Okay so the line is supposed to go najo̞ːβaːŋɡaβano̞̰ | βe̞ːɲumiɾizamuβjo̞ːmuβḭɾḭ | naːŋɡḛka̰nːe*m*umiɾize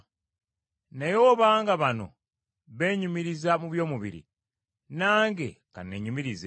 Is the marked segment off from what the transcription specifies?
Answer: yes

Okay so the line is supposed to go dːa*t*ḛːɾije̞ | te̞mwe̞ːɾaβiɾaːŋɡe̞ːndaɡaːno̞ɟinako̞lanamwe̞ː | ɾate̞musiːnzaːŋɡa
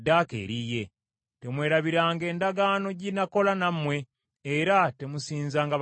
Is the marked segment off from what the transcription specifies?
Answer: yes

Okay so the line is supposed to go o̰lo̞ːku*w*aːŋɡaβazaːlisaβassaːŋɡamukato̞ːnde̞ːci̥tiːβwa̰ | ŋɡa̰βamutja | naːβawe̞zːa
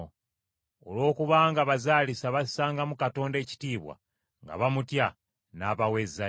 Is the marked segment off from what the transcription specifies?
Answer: yes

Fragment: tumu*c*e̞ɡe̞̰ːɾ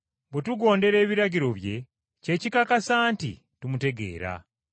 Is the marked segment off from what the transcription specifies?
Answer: yes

